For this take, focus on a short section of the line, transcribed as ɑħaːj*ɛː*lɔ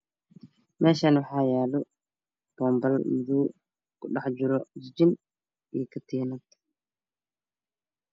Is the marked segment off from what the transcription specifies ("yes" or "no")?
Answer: yes